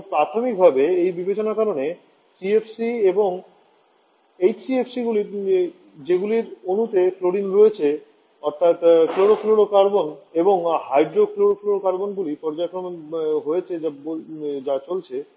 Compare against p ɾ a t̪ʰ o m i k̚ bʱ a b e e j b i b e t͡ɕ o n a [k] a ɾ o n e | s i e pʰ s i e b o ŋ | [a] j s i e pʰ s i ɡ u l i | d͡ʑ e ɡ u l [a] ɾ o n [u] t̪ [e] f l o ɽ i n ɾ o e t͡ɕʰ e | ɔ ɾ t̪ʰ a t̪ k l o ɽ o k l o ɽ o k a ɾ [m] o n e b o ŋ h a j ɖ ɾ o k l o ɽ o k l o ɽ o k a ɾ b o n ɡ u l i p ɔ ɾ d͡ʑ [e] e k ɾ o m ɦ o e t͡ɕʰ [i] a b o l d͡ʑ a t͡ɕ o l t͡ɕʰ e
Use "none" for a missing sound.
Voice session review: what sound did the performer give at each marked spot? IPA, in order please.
k, e, i, u, e, b, a, e

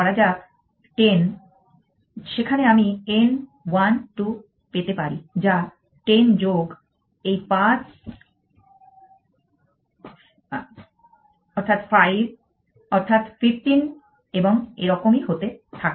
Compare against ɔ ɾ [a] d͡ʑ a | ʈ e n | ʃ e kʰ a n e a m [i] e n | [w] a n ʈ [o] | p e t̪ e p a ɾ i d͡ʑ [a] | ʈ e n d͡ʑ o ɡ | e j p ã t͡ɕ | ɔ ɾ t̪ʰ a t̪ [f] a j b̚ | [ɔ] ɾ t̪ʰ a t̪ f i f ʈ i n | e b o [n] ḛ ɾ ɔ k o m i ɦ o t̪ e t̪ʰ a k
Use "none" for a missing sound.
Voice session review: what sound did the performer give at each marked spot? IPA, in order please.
a, i, w, u, a, f, ɔ, ŋ

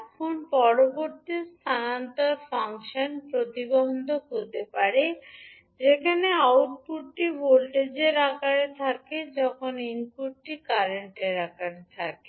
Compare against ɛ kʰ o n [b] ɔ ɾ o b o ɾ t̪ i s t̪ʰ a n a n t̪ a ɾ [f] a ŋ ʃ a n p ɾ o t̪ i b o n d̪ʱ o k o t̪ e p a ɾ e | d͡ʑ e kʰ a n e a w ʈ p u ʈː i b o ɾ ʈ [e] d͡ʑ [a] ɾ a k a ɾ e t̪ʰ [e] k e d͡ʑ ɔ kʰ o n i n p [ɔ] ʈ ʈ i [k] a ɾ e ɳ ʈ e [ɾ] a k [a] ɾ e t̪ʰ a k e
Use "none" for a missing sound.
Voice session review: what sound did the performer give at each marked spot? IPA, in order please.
p, f, e, e, a, u, k, ɾ, a

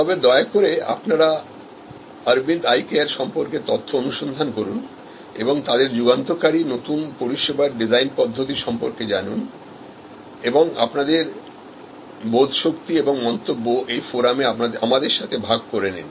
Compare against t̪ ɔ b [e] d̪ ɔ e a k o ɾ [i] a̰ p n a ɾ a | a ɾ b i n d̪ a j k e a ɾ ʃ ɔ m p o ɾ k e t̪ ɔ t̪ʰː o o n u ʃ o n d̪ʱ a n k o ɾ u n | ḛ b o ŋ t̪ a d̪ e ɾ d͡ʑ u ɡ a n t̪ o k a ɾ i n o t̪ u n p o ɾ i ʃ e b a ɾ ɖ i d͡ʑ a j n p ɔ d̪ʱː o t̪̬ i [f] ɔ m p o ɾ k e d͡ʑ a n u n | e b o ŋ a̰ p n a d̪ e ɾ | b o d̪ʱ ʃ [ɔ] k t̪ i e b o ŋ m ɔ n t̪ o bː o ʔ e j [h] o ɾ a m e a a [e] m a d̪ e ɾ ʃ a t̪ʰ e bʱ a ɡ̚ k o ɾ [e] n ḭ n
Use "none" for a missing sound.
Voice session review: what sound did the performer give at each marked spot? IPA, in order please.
e, e, ʃ, o, f, a, e

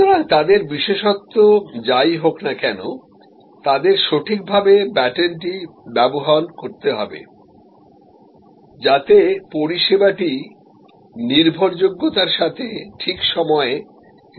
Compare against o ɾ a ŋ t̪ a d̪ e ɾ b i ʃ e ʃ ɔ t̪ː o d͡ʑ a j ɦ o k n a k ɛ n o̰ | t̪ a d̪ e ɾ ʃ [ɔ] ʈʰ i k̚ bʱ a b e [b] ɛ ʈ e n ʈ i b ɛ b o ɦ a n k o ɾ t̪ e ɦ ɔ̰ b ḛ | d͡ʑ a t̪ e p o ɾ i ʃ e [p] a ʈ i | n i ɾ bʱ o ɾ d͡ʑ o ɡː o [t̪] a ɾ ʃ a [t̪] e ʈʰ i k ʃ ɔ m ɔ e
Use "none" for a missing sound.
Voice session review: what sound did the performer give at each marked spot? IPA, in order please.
o, b, b, t̪, t̪ʰ

